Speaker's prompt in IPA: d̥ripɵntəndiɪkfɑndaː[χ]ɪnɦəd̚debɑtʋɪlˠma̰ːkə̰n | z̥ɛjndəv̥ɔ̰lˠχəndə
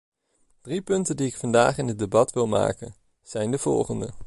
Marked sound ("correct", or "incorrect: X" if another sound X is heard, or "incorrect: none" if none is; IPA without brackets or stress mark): correct